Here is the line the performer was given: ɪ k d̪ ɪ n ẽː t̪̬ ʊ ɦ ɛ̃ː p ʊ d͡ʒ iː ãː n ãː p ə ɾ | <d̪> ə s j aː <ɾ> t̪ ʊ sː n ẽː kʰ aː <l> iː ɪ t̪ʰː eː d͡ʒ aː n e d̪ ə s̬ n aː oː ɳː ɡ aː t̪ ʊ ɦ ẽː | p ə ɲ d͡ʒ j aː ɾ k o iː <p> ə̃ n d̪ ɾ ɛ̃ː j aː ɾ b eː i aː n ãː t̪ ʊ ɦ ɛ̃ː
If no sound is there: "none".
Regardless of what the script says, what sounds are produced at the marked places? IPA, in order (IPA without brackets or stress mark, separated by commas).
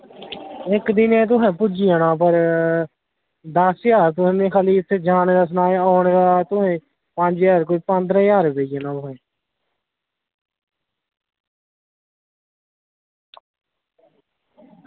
d̪, ɾ, l, p